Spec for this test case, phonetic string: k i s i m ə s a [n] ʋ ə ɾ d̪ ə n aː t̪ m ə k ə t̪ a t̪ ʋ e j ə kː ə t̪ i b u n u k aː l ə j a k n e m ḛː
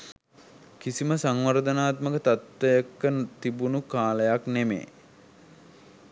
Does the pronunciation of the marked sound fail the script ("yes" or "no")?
yes